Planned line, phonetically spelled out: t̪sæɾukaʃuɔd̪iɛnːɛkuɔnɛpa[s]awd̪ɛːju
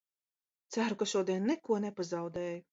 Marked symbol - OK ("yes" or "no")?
no